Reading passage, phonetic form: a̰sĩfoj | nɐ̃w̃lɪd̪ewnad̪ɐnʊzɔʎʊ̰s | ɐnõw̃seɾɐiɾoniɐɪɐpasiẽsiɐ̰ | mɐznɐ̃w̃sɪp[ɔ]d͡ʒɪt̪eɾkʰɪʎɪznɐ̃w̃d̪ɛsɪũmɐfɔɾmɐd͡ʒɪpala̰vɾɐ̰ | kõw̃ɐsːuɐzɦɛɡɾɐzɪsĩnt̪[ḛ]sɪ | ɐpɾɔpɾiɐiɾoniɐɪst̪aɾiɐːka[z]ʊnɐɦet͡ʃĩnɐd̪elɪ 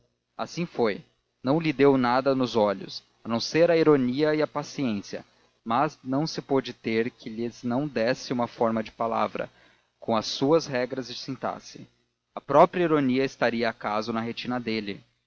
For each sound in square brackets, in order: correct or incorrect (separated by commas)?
incorrect, incorrect, correct